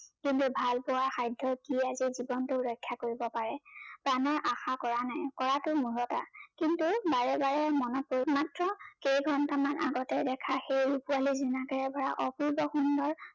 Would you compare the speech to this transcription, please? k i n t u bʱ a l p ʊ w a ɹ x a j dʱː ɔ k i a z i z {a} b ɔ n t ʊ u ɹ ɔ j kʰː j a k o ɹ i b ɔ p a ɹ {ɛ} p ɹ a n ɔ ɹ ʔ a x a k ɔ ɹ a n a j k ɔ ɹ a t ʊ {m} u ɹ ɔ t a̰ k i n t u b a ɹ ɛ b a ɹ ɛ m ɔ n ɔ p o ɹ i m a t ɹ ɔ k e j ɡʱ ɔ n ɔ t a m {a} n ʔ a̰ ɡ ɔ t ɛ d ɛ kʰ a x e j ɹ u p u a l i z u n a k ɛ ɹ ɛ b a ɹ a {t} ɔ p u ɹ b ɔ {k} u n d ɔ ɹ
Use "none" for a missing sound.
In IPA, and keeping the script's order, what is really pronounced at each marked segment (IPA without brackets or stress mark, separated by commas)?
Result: i, ɛ, m, a, ʔ, x